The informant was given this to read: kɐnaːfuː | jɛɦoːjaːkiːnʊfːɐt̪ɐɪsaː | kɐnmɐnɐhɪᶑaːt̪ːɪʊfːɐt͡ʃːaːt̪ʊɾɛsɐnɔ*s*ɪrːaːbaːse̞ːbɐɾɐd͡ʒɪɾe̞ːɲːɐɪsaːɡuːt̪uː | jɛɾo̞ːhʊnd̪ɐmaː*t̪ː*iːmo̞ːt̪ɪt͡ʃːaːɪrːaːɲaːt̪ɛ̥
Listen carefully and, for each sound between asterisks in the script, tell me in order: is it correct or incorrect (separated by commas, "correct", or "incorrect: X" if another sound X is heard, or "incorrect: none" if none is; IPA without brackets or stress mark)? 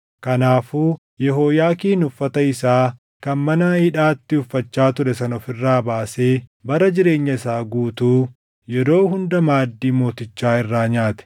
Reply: incorrect: f, incorrect: d̪ː